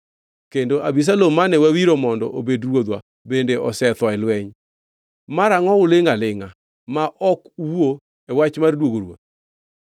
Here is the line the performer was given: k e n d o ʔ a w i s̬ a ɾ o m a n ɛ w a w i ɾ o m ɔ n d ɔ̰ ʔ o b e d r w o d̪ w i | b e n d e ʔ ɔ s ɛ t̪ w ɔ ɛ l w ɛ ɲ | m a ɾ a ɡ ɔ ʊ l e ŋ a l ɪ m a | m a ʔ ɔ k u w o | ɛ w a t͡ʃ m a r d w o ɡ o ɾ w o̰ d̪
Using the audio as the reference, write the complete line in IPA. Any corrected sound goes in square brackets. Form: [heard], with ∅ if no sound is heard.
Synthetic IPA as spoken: k e n d o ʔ a [b] i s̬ a [l] o m a n ɛ w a w i ɾ o m ɔ n d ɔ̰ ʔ o b e d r w o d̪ w [a] | b e n d e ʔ ɔ s ɛ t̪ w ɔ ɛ l w ɛ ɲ | m a ɾ a [ŋ] ɔ ʊ l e ŋ a l ɪ [ŋ] a | m a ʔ ɔ k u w o | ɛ w a t͡ʃ m a r d w o ɡ o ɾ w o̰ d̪